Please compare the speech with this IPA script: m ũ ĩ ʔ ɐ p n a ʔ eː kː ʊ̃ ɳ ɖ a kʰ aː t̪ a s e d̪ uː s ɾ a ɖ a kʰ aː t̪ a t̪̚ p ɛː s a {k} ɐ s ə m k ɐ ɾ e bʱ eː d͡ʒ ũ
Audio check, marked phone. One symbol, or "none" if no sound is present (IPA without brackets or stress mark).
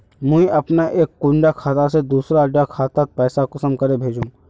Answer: k